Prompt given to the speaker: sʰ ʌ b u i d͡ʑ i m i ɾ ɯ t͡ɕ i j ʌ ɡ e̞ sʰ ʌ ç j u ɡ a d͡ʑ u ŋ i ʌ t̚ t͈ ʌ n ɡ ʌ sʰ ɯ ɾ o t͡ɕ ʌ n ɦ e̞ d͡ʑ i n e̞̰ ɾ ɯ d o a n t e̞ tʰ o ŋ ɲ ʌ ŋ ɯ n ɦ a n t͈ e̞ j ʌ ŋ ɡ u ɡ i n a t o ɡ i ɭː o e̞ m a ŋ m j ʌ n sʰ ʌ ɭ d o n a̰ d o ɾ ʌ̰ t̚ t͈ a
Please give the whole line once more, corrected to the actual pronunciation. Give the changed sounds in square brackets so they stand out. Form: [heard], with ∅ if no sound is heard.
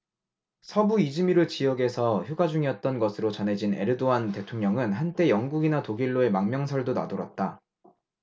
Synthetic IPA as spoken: sʰ ʌ b u i d͡ʑ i m i ɾ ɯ t͡ɕ i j ʌ ɡ e̞ sʰ ʌ ç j u ɡ a d͡ʑ u ŋ i ʌ t̚ t͈ ʌ n ɡ ʌ sʰ ɯ ɾ o t͡ɕ ʌ n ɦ e̞ d͡ʑ i n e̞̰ ɾ ɯ d o a n t e̞ tʰ o ŋ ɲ ʌ ŋ ɯ n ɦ a n t͈ e̞ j ʌ ŋ ɡ u ɡ i n a t o ɡ i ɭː o e̞ m a ŋ m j ʌ [ŋ] sʰ ʌ ɭ d o n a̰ d o ɾ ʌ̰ t̚ t͈ a

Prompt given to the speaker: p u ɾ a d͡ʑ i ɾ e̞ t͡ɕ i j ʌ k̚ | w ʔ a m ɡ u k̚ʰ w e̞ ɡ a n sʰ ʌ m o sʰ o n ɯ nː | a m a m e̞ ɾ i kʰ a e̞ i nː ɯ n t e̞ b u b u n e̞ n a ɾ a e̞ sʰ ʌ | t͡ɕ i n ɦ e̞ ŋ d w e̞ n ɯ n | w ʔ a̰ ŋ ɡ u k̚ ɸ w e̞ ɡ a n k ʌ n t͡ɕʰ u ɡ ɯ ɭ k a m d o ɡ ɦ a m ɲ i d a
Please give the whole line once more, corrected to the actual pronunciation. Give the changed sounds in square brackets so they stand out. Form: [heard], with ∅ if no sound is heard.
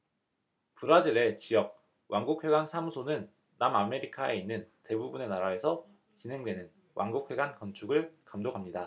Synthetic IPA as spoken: p u ɾ a d͡ʑ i ɾ e̞ t͡ɕ i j ʌ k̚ | w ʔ a [ŋ] ɡ u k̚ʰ w e̞ ɡ a n sʰ [a] m [u] sʰ o n ɯ nː | a m a m e̞ ɾ i kʰ a e̞ i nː ɯ n t e̞ b u b u n e̞ n a ɾ a e̞ sʰ ʌ | t͡ɕ i n ɦ e̞ ŋ d w e̞ n ɯ n | w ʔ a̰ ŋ ɡ u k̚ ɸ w e̞ ɡ a n k ʌ n t͡ɕʰ u ɡ ɯ ɭ k a m d o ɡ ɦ a m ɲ i d a

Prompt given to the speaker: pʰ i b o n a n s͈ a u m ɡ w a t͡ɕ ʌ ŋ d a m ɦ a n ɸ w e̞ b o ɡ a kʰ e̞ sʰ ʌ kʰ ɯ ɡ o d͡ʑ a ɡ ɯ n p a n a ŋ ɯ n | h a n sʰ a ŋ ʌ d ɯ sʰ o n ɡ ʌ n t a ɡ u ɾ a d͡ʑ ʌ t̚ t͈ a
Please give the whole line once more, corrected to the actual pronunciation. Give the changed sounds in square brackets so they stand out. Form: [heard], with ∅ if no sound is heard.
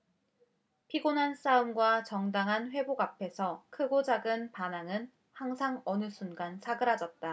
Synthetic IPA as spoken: pʰ i [ɡ] o n a n s͈ a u m ɡ w a t͡ɕ ʌ ŋ d a [ŋ] ɦ a n ɸ w e̞ b o ɡ a [pʰ] e̞ sʰ ʌ kʰ ɯ ɡ o d͡ʑ a ɡ ɯ n p a n a ŋ ɯ n | h a [ŋ] sʰ a ŋ ʌ [n] ɯ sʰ [u] n ɡ [a] n [t͡ɕ] a ɡ [ɯ] ɾ a d͡ʑ ʌ t̚ t͈ a

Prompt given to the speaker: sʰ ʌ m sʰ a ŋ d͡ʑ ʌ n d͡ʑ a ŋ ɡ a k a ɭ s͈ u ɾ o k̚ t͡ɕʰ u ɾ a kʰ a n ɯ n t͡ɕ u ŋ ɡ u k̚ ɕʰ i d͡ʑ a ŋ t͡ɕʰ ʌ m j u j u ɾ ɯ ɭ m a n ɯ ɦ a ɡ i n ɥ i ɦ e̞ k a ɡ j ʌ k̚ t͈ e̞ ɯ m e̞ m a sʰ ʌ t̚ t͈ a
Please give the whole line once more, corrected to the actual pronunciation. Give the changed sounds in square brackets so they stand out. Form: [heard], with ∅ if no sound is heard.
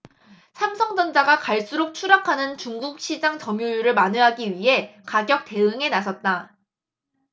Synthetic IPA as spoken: sʰ [a] m sʰ [ʌ] ŋ d͡ʑ ʌ n d͡ʑ a [∅] ɡ a k a ɭ s͈ u ɾ o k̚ t͡ɕʰ u ɾ a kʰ a n ɯ n t͡ɕ u ŋ ɡ u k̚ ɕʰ i d͡ʑ a ŋ [t͡ɕ] ʌ m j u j u ɾ ɯ ɭ m a n ɯ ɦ a ɡ i [∅] ɥ i ɦ e̞ k a ɡ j ʌ k̚ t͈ e̞ ɯ [ŋ] e̞ [n] a sʰ ʌ t̚ t͈ a

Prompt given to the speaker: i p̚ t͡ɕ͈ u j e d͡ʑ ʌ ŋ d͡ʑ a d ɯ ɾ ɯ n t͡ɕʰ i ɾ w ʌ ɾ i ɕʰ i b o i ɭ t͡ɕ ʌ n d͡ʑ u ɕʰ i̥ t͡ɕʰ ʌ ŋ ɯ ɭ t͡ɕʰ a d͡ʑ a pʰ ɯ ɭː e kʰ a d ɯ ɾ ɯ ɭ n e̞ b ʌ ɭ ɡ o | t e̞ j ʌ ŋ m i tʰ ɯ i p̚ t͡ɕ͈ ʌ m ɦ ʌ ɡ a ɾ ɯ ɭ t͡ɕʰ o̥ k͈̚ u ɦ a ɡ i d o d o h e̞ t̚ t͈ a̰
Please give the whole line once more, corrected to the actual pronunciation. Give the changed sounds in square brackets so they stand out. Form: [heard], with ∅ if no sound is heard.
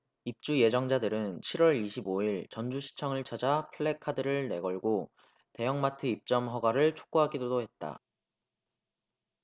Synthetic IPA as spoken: i p̚ t͡ɕ͈ u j e d͡ʑ ʌ ŋ d͡ʑ a d ɯ ɾ ɯ n t͡ɕʰ i ɾ w ʌ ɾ i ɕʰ i b o i ɭ t͡ɕ ʌ n d͡ʑ u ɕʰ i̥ t͡ɕʰ ʌ ŋ ɯ ɭ t͡ɕʰ a d͡ʑ a pʰ ɯ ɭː e kʰ a d ɯ ɾ ɯ ɭ n e̞ [ɡ] ʌ ɭ ɡ o | t e̞ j ʌ ŋ m [a] tʰ ɯ i p̚ t͡ɕ͈ ʌ m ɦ ʌ ɡ a ɾ ɯ ɭ t͡ɕʰ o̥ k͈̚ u ɦ a ɡ i d o d o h e̞ t̚ t͈ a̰

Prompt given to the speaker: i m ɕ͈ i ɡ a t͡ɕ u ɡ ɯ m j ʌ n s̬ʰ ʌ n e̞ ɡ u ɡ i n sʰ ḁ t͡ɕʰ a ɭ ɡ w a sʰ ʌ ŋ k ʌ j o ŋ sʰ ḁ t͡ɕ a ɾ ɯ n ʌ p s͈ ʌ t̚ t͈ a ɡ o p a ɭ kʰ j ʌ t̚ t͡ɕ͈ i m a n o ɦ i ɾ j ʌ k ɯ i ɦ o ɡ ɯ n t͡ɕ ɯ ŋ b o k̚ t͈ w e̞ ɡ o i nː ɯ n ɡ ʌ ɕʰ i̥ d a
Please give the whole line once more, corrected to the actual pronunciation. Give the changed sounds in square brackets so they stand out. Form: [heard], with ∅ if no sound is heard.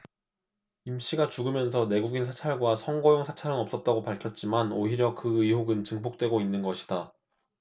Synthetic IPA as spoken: i m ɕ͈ i ɡ a t͡ɕ u ɡ ɯ m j ʌ n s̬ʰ ʌ n e̞ ɡ u ɡ i n sʰ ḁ t͡ɕʰ a ɭ ɡ w a sʰ ʌ ŋ [ɡ] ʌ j o ŋ sʰ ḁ [t͡ɕʰ] a ɾ ɯ n ʌ p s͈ ʌ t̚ t͈ a ɡ o p a ɭ kʰ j ʌ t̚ t͡ɕ͈ i m a n o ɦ i ɾ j ʌ k ɯ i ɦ o ɡ ɯ n t͡ɕ ɯ ŋ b o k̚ t͈ w e̞ ɡ o i nː ɯ n ɡ ʌ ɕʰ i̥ d a

